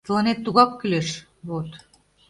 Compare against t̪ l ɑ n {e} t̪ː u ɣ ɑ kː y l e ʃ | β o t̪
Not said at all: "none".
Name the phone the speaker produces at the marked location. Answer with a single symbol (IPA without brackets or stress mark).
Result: e